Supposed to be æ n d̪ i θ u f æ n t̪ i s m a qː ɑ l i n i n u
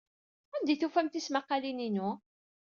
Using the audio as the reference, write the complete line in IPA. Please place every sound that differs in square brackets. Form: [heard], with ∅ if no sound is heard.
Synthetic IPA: æ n d̪ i θ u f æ [m] t̪ i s m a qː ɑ l i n i n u

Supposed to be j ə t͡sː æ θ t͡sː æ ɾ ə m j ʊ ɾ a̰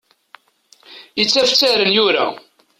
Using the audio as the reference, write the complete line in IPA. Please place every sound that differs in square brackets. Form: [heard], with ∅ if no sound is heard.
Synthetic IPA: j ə t͡sː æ [f] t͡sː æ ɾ ə [n] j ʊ ɾ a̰

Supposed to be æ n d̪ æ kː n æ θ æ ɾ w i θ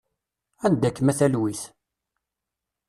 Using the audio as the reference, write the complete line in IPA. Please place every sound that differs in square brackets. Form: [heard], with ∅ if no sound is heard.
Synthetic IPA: æ n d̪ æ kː [m] æ θ æ [l] w i θ

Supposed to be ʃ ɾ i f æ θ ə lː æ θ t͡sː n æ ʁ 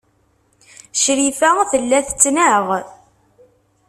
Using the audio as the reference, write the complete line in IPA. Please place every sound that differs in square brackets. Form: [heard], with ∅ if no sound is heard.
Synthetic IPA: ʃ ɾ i f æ θ ə lː æ θ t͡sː n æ ʁ

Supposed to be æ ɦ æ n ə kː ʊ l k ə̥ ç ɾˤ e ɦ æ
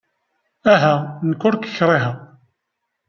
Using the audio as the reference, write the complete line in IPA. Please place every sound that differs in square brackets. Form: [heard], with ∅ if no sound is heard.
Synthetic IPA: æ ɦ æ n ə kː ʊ [ɾ] k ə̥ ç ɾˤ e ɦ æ

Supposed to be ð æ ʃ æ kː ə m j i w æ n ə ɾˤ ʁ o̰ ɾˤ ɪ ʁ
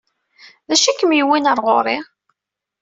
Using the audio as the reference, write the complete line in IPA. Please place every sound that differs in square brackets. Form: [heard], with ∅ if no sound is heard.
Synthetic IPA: ð æ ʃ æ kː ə m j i w [i] n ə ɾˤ ʁ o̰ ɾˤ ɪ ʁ

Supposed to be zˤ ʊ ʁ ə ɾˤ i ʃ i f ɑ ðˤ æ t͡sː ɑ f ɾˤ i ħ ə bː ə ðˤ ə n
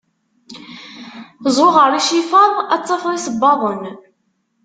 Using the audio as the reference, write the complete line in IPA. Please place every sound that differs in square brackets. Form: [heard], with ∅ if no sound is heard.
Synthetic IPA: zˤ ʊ ʁ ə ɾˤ i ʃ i f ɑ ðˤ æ t͡sː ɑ f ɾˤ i [s] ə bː [ɑ] ðˤ ə n

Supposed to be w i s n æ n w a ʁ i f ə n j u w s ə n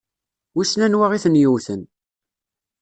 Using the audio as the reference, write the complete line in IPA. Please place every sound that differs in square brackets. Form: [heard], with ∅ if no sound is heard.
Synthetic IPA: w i s n æ n w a ʁ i [θ] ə n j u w [θ] ə n

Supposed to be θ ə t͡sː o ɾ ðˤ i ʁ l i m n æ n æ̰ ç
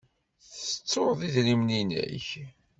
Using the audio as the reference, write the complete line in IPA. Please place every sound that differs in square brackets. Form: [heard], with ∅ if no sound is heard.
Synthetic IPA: θ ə t͡sː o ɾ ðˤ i [ð] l i m n [i] n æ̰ ç

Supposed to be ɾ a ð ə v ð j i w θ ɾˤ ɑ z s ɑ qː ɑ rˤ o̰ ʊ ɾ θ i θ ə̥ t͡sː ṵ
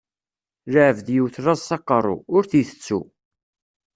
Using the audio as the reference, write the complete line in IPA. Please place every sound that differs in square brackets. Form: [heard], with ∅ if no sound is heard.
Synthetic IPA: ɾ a [ʕ] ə v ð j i w θ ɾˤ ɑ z s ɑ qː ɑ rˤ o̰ ʊ ɾ θ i θ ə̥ t͡sː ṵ

